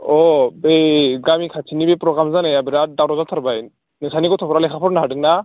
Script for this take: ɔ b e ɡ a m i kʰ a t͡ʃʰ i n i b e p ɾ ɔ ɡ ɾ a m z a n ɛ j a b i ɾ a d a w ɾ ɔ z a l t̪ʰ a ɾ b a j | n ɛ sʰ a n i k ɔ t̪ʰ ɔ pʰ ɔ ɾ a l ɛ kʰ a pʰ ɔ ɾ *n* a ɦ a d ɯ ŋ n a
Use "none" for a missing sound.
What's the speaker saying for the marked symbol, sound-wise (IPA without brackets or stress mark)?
n